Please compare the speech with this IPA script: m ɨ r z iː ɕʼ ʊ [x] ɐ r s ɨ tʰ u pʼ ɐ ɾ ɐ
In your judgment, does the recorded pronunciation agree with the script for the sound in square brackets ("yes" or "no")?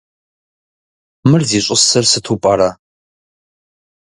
no